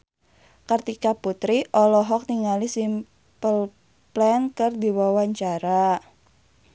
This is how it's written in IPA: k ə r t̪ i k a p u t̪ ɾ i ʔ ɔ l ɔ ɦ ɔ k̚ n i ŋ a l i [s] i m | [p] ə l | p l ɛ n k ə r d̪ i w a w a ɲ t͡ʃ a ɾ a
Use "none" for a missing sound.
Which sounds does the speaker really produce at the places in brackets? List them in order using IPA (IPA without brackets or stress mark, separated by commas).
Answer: s, p